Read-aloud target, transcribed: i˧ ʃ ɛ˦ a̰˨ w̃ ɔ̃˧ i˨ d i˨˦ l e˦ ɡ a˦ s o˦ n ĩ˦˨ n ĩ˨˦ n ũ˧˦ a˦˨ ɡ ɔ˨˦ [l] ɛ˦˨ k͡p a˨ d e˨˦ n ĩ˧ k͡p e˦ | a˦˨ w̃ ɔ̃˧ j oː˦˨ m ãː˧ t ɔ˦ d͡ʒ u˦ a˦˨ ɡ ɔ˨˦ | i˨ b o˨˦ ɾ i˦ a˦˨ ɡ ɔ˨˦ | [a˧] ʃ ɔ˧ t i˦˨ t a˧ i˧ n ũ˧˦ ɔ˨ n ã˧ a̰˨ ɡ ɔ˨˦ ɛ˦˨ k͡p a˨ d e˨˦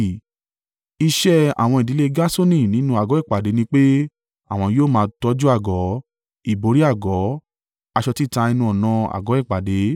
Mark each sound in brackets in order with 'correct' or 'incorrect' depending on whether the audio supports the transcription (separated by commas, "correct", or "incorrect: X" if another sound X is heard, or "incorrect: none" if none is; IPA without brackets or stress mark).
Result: incorrect: none, correct